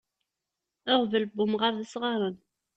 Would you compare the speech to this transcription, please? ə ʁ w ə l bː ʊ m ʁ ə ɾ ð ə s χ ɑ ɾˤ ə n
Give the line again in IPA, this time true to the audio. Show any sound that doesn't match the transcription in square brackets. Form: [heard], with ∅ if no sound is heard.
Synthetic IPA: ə ʁ [v] ə l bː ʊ m ʁ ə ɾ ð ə s [ʁ] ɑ ɾˤ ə n